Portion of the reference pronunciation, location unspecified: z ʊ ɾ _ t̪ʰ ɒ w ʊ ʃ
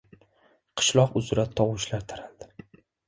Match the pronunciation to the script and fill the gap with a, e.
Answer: a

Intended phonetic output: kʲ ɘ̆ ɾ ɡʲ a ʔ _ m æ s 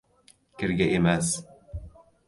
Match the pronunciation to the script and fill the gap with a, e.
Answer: e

